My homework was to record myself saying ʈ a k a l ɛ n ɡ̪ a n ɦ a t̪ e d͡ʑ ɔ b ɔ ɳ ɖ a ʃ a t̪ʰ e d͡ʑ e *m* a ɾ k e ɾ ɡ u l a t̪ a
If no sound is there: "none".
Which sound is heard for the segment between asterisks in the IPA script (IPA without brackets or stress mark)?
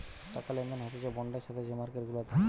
m